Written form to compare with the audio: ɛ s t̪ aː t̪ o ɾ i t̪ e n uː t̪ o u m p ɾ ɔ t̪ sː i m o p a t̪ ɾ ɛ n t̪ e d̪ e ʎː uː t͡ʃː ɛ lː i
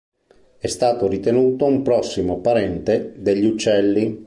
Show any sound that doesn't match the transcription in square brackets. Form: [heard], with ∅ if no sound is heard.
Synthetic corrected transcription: ɛ s t̪ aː t̪ o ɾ i t̪ e n uː t̪ o u m p ɾ ɔ [∅] sː i m o p a [∅] ɾ ɛ n t̪ e d̪ e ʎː [u] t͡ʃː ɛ lː i

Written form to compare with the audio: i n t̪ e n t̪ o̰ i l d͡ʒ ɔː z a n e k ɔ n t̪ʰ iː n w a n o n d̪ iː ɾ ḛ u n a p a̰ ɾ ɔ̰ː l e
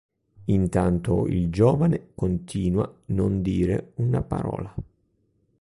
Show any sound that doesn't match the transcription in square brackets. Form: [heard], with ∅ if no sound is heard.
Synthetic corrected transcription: i n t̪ [a] n t̪ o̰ i l d͡ʒ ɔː [v] a n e k [o] n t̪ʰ iː n w a n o n d̪ iː ɾ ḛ u n a p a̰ ɾ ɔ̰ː l [a]

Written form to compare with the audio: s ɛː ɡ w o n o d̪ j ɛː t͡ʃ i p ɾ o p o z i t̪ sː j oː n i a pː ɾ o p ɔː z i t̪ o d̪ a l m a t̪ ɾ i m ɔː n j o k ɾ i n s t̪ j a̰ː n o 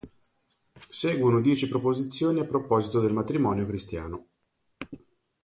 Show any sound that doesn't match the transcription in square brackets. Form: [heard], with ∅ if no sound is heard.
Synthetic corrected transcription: s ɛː ɡ w o n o d̪ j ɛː t͡ʃ i p ɾ o p o z i t̪ sː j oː n i a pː ɾ o p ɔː z i t̪ o d̪ [e] l m a t̪ ɾ i m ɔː n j o k ɾ i [∅] s t̪ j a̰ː n o

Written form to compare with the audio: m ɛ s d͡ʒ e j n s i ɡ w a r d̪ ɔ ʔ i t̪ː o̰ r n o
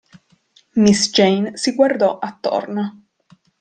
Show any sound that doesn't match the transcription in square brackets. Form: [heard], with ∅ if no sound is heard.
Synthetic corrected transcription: m [i] s d͡ʒ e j n s i ɡ w a r d̪ ɔ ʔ [a] t̪ː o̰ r n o

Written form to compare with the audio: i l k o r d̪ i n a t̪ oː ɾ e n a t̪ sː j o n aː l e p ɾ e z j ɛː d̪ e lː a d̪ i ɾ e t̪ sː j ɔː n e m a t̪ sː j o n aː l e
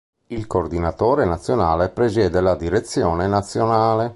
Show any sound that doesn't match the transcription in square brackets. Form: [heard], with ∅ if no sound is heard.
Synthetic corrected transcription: i l k o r d̪ i n a t̪ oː ɾ e n a t̪ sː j o n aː l e p ɾ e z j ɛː d̪ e [l] a d̪ i ɾ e t̪ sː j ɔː n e [n] a t̪ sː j o n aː l e

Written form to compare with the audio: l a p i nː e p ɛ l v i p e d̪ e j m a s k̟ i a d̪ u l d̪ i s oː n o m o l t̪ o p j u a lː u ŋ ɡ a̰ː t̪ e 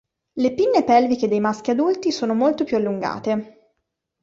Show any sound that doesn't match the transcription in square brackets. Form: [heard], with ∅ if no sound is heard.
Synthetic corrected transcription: l [e] p i nː e p ɛ l v i [k] e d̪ e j m a s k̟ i a d̪ u l [t̪] i s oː n o m o l t̪ o p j u a lː u ŋ ɡ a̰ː t̪ e

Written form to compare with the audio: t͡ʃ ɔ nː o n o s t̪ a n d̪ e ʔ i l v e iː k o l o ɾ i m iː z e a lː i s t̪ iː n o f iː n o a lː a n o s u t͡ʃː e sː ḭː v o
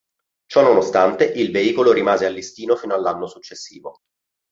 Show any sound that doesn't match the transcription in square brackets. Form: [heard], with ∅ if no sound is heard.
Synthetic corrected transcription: t͡ʃ ɔ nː o n o s t̪ a n [t̪] e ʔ i l v e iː k o l o ɾ i m [aː] z e a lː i s t̪ iː n o f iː n o a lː a [nː] o s u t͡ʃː e sː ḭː v o

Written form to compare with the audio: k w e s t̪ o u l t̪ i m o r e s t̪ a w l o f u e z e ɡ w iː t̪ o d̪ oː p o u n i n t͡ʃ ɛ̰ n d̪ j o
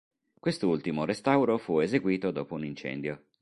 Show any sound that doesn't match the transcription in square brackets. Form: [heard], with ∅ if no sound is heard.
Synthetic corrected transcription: k w e s t̪ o u l t̪ i m o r e s t̪ a w [ɾ] o f u e z e ɡ w iː t̪ o d̪ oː p o u n i n t͡ʃ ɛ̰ n d̪ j o

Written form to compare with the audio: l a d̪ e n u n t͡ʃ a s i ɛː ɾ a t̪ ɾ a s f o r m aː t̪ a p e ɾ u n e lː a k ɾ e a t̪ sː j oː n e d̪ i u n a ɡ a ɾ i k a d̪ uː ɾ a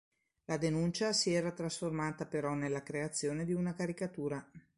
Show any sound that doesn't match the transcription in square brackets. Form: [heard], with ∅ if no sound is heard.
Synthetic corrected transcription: l a d̪ e n u n t͡ʃ a s i ɛː ɾ a t̪ ɾ a s f o r m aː t̪ a p e ɾ [ɔ] n e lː a k ɾ e a t̪ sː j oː n e d̪ i u n a [k] a ɾ i k a [t̪] uː ɾ a

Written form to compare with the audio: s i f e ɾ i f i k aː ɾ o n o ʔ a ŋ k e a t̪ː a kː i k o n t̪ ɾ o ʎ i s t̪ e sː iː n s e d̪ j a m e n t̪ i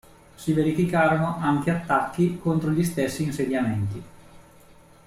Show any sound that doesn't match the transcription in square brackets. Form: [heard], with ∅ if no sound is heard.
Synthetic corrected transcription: s i [v] e ɾ i f i k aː ɾ o n o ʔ a ŋ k e a t̪ː a kː i k o n t̪ ɾ o ʎ i s t̪ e sː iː n s e d̪ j a m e n t̪ i

